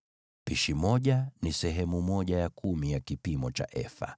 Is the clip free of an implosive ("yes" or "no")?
no